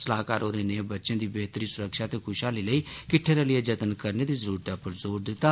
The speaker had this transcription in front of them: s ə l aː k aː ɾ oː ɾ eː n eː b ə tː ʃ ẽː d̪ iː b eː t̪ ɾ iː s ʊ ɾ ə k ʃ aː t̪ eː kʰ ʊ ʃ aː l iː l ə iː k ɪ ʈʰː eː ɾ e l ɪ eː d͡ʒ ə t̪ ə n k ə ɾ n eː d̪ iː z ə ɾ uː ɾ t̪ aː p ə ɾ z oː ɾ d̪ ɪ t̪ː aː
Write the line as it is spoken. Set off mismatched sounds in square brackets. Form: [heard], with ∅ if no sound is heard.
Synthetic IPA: s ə l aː k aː ɾ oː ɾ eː n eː b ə tː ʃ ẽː d̪ iː b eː t̪ ɾ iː s ʊ ɾ ə k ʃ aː t̪ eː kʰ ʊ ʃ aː l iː l ə iː k ɪ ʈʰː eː ɾ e l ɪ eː d͡ʒ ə t̪ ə n k ə ɾ n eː d̪ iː z ə ɾ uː ɾ t̪ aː p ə ɾ z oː ɾ d̪ ɪ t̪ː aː